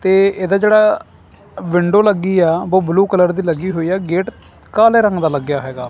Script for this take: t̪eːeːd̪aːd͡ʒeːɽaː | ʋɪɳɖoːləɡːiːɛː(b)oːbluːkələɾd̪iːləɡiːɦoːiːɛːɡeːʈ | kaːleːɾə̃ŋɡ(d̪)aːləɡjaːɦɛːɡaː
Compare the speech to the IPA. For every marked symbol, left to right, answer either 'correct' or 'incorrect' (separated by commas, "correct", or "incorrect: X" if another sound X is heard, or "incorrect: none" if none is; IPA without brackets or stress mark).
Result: correct, correct